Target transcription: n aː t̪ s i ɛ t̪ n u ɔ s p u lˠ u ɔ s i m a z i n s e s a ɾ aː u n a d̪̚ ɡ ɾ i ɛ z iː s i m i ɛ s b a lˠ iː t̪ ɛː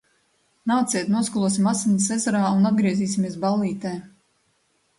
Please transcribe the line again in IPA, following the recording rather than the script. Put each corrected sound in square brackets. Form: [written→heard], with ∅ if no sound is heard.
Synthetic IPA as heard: n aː t̪ s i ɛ t̪ n u ɔ s [p→k] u lˠ u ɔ s i m a [z→s] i n s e [s→z] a ɾ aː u n a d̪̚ ɡ ɾ i ɛ z iː s i m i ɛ s b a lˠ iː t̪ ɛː